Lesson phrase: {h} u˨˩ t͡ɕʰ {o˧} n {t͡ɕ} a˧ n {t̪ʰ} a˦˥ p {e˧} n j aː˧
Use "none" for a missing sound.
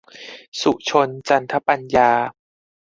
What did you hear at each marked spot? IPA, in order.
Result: s, o˧, t͡ɕ, t̪ʰ, a˧

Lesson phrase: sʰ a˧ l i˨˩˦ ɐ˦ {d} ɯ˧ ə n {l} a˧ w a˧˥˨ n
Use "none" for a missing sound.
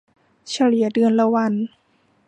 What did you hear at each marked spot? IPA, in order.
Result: d, l

